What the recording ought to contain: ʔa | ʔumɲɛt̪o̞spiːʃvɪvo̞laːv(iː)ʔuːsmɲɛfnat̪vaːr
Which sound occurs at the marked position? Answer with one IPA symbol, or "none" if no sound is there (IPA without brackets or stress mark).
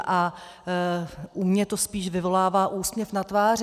aː